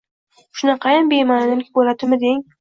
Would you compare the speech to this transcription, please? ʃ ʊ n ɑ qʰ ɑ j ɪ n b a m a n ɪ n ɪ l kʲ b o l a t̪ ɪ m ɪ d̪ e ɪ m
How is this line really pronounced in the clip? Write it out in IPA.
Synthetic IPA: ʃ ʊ n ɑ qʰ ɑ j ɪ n b e m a n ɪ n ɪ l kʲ b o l a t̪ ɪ m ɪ d̪ e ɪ ŋ